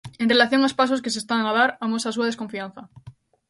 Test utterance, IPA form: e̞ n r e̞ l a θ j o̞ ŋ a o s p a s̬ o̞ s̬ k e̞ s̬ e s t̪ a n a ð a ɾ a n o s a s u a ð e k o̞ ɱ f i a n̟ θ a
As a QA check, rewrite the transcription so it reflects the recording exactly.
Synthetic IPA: e̞ n r e̞ l a θ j o̞ ŋ a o s p a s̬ o̞ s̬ k e̞ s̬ e s t̪ a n a ð a ɾ a m o s a s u a ð e k o̞ ɱ f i a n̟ θ a